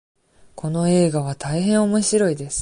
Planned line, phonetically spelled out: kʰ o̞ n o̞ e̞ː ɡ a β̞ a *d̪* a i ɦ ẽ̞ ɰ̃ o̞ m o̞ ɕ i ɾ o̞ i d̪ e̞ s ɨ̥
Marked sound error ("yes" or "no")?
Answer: yes